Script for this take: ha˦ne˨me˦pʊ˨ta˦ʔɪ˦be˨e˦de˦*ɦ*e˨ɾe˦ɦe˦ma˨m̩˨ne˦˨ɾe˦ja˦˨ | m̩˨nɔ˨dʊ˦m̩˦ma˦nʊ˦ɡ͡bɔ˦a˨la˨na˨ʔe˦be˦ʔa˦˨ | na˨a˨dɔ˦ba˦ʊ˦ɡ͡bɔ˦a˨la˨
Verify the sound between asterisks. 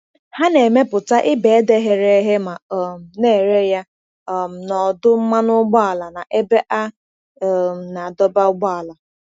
correct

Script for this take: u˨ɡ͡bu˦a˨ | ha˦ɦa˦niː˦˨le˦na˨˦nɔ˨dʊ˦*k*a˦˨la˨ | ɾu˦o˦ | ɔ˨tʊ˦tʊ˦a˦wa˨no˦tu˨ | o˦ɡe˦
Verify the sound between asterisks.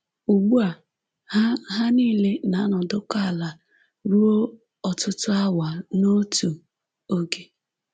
correct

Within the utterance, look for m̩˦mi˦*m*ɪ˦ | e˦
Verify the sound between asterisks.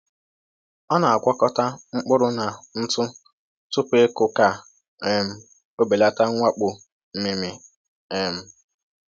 correct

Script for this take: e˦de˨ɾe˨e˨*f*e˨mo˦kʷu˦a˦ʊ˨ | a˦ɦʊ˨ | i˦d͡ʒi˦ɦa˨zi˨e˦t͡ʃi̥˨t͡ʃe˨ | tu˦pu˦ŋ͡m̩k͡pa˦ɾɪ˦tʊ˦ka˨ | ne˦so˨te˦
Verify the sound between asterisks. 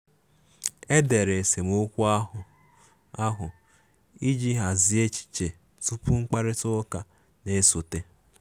incorrect: s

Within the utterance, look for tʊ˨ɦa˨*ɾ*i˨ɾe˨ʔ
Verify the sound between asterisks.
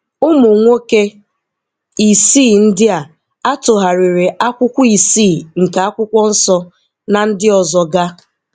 correct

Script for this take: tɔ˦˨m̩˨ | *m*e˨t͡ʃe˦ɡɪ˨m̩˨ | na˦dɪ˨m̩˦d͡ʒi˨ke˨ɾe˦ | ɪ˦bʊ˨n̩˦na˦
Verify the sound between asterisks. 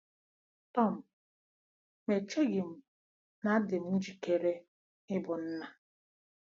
correct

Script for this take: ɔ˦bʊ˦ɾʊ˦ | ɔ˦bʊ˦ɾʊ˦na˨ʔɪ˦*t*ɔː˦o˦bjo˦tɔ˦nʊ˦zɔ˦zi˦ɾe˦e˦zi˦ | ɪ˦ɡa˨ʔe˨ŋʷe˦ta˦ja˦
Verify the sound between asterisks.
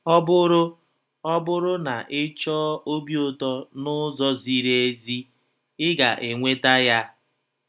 incorrect: t͡ʃ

